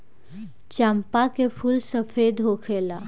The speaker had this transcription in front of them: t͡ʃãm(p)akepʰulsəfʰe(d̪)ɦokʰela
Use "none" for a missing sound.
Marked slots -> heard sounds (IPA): p, d̪

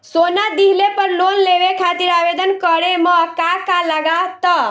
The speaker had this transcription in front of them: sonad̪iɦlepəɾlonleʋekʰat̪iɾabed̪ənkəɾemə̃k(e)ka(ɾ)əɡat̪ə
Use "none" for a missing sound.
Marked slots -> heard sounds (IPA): a, l

